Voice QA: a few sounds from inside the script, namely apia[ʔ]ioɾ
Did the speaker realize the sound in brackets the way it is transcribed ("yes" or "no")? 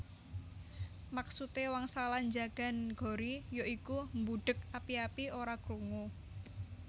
no